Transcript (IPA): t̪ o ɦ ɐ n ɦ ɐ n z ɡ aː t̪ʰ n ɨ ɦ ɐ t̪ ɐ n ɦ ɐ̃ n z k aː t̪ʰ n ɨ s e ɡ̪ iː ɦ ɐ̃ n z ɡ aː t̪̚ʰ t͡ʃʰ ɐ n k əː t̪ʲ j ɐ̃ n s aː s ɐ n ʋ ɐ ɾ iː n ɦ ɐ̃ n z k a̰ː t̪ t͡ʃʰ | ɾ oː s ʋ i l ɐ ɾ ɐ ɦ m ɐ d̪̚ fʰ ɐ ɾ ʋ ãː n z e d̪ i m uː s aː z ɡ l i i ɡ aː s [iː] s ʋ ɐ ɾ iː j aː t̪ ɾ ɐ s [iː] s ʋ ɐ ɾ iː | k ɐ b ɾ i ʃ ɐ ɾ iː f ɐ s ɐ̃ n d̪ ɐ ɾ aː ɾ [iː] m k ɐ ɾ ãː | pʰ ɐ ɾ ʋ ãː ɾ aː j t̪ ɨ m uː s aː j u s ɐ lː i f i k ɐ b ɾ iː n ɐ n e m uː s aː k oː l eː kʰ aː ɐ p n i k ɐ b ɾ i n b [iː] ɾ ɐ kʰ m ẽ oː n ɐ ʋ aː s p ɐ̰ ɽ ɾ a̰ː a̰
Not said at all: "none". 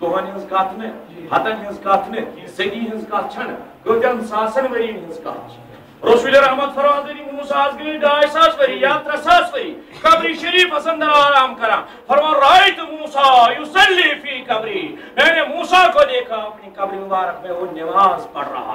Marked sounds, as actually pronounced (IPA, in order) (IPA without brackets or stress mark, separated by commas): aː, aː, aː, aː